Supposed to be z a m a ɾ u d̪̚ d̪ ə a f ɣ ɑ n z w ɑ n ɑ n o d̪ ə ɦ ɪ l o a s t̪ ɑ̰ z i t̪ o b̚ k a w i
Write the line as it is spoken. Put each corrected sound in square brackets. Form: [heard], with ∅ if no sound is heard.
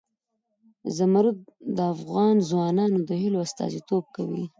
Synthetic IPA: z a m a ɾ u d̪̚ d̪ ə a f ɣ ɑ n z w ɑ n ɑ n o d̪ ə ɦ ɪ l o a s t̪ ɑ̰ z i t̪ o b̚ k a w i